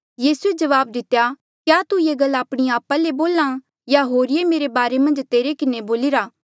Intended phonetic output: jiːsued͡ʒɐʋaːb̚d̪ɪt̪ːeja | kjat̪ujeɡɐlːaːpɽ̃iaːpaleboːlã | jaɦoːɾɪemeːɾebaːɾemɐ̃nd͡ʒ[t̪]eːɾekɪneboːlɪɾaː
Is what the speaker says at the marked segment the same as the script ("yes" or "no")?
yes